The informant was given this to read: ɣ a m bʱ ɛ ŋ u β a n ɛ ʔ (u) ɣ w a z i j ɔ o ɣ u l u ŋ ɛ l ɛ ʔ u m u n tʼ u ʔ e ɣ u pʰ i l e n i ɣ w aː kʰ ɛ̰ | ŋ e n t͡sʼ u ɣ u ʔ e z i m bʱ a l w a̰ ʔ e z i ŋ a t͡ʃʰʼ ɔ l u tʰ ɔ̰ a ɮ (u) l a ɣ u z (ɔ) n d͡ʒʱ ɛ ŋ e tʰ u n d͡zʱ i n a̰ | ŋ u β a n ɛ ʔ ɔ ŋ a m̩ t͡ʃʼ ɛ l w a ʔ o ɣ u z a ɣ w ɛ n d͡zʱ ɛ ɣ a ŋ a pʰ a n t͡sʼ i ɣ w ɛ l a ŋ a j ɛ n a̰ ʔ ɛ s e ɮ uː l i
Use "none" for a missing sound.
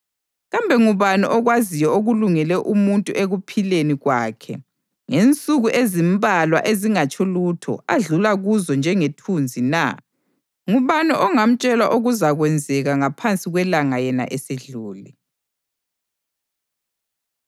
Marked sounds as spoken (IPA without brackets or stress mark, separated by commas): ɔ, u, ɔ